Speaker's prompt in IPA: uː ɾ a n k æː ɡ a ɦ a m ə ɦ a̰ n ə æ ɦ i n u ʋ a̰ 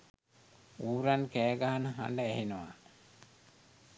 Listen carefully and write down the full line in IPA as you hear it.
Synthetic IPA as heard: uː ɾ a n k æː ɡ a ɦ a n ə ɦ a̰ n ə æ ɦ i n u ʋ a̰